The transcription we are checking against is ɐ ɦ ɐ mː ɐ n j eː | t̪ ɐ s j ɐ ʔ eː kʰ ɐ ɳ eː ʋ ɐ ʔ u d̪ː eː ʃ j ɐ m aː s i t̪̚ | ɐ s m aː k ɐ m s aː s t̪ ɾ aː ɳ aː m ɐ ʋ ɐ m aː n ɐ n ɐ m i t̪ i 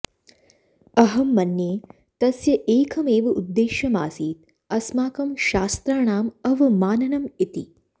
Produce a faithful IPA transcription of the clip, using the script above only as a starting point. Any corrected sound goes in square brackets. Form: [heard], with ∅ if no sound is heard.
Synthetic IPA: ɐ ɦ ɐ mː ɐ n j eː | t̪ ɐ s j ɐ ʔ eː kʰ ɐ [m] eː ʋ ɐ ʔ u d̪ː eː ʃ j ɐ m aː s [iː] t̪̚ | ɐ s m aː k ɐ m [ʃ] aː s t̪ ɾ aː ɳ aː m ɐ ʋ ɐ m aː n ɐ n ɐ m i t̪ i